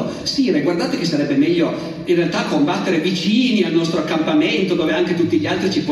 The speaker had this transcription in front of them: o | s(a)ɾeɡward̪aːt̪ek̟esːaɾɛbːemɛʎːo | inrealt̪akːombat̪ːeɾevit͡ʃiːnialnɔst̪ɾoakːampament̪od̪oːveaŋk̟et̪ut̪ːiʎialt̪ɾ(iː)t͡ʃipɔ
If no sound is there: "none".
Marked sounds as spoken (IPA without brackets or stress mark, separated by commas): i, i